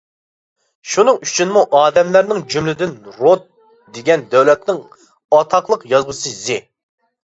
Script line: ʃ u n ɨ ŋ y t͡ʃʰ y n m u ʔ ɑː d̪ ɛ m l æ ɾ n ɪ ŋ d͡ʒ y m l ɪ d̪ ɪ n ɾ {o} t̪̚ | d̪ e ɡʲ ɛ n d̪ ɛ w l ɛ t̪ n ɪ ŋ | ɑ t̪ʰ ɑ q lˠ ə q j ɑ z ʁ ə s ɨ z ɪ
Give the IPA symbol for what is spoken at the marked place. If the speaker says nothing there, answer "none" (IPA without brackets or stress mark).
o